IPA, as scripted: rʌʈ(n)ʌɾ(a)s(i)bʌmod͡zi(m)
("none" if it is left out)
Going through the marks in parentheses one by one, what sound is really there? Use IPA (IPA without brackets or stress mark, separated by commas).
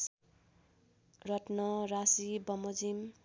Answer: n, a, i, m